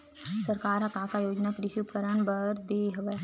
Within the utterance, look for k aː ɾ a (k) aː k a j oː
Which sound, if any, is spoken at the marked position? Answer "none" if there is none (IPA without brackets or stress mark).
k